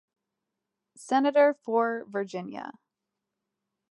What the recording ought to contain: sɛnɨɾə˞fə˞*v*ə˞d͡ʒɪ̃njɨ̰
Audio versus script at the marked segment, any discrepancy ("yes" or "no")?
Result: no